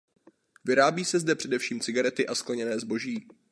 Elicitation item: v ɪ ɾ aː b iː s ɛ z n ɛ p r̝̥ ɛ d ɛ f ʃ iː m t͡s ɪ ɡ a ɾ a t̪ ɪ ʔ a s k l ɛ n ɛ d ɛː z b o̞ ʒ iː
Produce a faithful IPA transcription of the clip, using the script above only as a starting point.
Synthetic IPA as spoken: v ɪ ɾ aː b iː s ɛ z d ɛ p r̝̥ ɛ d ɛ f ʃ iː m t͡s ɪ ɡ a ɾ ɛ t̪ ɪ ʔ a s k l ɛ ɲ ɛ n ɛː z b o̞ ʒ iː